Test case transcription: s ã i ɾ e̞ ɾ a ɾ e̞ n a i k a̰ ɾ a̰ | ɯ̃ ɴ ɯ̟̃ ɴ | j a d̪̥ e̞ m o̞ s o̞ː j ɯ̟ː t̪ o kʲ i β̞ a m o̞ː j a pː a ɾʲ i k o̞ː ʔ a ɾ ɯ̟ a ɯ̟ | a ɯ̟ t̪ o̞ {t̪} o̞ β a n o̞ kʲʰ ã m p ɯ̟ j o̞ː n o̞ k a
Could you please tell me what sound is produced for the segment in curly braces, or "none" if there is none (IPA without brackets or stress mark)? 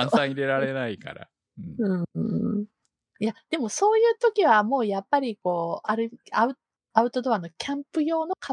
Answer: d̪